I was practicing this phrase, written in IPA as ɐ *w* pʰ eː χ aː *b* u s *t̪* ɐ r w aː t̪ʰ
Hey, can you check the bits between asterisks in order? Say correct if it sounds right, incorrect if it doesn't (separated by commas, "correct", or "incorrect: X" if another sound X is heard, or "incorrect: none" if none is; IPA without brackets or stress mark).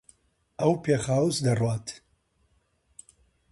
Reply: correct, incorrect: w, incorrect: d̪